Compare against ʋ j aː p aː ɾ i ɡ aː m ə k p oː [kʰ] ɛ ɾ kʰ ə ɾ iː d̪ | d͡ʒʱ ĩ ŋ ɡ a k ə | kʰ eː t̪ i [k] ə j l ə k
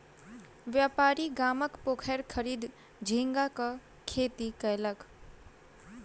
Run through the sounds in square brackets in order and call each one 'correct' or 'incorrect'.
correct, correct

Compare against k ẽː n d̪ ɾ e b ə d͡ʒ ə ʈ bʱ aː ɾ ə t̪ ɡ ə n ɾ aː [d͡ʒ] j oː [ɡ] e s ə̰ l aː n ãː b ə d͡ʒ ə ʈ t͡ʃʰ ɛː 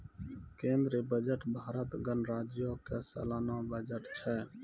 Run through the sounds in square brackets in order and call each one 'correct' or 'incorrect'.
correct, incorrect: k

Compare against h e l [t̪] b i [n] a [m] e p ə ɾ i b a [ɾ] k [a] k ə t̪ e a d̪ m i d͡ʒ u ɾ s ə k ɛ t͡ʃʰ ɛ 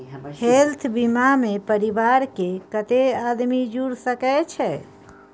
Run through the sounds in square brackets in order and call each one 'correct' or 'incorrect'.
incorrect: t̪ʰ, incorrect: m, correct, correct, incorrect: e

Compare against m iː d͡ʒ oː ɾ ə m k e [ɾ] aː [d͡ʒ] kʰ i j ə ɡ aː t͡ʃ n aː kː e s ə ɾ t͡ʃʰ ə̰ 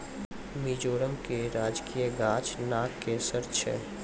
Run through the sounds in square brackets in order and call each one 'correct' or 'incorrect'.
correct, correct

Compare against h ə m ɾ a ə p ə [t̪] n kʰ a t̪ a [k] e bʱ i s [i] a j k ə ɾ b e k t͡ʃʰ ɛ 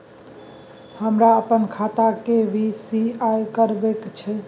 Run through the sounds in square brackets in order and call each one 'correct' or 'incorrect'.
incorrect: none, correct, correct

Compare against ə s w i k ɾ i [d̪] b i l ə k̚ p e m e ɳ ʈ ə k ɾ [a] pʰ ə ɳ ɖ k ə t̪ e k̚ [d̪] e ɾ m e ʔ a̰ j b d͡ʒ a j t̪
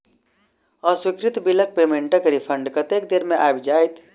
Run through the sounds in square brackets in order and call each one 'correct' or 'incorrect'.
incorrect: t̪, incorrect: i, correct

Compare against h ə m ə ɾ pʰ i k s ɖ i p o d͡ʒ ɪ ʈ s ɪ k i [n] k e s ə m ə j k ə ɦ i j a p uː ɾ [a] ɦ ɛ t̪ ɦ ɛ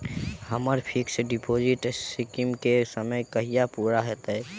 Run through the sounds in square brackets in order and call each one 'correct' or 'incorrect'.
incorrect: m, correct

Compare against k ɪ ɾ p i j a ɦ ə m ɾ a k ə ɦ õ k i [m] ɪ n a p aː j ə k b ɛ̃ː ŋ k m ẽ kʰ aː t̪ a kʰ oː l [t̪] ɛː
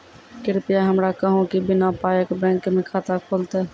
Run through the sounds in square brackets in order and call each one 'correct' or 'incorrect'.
incorrect: b, correct

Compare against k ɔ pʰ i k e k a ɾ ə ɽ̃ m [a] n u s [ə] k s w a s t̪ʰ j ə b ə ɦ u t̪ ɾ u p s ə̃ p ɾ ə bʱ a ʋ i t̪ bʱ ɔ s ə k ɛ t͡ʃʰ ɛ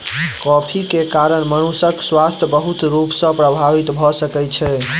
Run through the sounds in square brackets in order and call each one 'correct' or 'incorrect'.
incorrect: ə, correct

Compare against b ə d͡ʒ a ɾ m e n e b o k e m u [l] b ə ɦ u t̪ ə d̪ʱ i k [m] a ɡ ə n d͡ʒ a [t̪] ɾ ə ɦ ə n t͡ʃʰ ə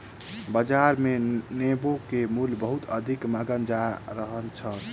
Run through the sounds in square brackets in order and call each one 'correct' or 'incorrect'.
correct, correct, incorrect: none

